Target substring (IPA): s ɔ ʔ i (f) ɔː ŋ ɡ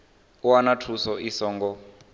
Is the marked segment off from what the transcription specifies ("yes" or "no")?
yes